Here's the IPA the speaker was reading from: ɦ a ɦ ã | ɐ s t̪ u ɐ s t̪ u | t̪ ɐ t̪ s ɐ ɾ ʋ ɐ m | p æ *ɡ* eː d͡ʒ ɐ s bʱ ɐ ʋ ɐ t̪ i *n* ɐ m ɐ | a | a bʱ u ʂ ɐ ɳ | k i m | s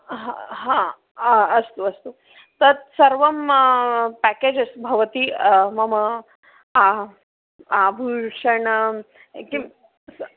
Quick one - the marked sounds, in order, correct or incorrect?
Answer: incorrect: k, incorrect: m

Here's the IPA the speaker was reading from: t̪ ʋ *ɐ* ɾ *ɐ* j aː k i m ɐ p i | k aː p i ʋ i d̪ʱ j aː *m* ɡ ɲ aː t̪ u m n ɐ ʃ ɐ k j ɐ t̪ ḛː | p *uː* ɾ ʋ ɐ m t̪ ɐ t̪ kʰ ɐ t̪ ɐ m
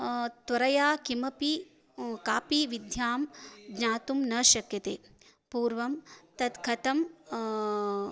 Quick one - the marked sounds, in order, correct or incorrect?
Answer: correct, correct, correct, correct

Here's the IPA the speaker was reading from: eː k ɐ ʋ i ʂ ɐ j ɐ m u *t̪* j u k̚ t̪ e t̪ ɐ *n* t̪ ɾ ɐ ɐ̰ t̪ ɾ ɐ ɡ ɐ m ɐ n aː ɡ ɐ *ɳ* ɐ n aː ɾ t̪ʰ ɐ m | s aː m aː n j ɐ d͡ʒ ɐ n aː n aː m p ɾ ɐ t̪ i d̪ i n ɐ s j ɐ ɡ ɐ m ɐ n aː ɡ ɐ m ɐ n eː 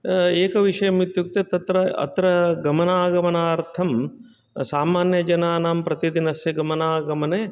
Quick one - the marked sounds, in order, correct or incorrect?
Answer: correct, incorrect: none, incorrect: m

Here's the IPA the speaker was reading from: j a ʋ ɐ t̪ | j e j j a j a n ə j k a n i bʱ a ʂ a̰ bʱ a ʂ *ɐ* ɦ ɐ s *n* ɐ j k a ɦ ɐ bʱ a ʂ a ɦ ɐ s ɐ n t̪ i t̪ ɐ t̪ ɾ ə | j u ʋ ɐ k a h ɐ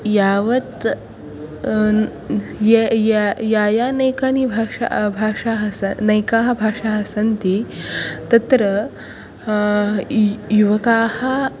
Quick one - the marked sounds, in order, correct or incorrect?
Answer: incorrect: a, correct

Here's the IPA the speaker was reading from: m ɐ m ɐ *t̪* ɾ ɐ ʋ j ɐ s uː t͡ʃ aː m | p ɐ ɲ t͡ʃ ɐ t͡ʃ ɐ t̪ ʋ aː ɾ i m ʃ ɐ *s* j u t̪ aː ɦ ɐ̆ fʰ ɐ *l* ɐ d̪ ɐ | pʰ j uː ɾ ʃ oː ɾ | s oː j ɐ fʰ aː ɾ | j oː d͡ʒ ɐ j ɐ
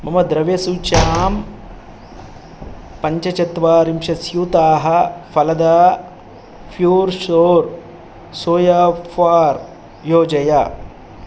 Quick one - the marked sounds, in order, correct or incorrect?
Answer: incorrect: d̪, correct, correct

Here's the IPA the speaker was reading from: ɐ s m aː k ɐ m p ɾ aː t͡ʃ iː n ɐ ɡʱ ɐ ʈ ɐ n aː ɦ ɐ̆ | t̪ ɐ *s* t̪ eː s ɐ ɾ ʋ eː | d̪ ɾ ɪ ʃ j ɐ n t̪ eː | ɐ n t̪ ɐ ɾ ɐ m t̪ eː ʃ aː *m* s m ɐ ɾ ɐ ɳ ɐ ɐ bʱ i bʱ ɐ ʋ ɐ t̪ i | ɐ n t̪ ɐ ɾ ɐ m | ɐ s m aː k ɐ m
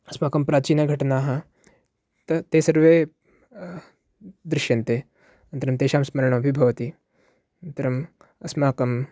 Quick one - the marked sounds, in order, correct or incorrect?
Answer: incorrect: none, correct

